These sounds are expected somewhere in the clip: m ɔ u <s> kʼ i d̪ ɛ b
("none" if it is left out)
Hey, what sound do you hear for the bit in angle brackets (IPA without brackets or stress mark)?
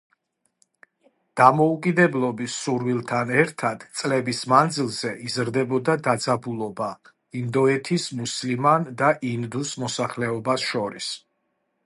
none